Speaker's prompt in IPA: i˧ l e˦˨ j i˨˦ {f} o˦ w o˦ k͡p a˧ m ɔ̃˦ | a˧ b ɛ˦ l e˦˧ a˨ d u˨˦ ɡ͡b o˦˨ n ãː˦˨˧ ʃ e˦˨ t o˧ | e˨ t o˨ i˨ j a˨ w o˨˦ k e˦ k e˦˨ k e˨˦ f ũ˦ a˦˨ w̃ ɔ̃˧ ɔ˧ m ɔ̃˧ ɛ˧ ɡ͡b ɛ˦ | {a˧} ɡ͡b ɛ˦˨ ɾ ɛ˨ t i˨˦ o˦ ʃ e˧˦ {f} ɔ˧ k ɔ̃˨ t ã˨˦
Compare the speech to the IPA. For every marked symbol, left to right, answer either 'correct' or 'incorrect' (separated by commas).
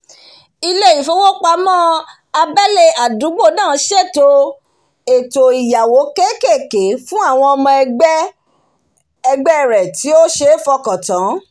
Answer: correct, incorrect, correct